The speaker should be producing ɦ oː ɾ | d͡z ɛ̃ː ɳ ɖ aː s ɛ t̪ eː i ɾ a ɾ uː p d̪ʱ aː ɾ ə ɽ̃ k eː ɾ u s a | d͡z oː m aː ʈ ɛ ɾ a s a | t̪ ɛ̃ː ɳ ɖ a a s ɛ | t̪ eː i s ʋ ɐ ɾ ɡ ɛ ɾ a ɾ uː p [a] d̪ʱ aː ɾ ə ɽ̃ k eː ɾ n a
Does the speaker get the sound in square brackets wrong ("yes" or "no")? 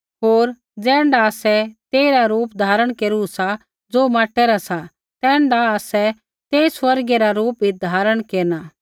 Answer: yes